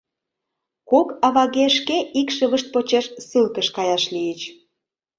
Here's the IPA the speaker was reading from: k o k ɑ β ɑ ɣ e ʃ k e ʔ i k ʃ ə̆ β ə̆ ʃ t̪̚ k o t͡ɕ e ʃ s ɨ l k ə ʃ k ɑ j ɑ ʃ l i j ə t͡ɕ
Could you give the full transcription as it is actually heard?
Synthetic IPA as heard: k o k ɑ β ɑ ɣ e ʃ k e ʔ i k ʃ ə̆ β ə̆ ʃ t̪̚ p o t͡ɕ e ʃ s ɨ l k ə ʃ k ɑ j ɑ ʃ l i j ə t͡ɕ